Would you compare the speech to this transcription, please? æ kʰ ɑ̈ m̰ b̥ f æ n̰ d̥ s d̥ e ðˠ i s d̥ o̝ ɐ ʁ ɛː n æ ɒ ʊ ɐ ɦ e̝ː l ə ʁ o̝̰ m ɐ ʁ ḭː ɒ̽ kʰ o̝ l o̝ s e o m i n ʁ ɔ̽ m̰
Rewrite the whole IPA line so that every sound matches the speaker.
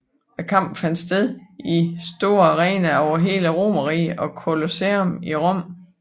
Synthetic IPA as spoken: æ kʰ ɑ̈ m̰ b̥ f æ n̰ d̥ s d̥ e ðˠ i s d̥ o̝ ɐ ʁ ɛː n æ ɒ ʊ ɐ ɦ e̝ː l ə ʁ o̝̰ m ɐ ʁ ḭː ɒ̽ kʰ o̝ l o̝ s e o m i ʁ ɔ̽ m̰